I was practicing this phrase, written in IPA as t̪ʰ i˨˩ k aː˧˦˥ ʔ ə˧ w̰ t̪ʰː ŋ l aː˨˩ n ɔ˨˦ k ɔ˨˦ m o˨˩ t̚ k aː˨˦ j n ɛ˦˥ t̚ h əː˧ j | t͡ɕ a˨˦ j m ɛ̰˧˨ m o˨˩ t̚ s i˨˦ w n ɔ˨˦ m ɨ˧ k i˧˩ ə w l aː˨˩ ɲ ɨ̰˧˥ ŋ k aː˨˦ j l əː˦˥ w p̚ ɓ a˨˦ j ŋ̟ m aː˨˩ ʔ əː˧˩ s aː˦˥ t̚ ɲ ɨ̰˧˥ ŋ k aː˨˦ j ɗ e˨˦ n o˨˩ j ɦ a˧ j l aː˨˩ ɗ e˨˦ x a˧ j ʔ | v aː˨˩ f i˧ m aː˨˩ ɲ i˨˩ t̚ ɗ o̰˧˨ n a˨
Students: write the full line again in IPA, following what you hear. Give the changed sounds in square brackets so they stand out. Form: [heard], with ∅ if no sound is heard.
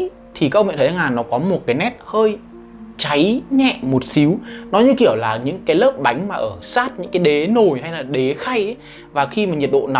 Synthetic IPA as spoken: t̪ʰ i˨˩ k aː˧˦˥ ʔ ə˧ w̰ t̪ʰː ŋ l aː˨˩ n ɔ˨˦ k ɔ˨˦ m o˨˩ t̚ k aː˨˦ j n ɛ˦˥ t̚ h əː˧ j | t͡ɕ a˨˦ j [ɲ] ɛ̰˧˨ m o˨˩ t̚ s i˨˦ w n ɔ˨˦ [ɲ] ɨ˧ k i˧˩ ə w l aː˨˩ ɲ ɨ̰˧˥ ŋ k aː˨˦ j l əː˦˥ [∅] p̚ ɓ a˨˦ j ŋ̟ m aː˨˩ ʔ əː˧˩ s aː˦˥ t̚ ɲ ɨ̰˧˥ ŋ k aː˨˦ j ɗ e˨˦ n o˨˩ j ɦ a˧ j l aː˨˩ ɗ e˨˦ x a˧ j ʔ | v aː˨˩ [x] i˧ m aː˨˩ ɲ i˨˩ t̚ ɗ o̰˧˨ n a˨